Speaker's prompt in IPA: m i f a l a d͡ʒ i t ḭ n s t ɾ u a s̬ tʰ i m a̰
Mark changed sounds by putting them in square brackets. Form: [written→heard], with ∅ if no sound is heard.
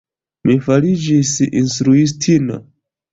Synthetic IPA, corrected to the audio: m i f a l [a→i] d͡ʒ i [t→s] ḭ n s t ɾ u [a→i] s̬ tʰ i [m→n] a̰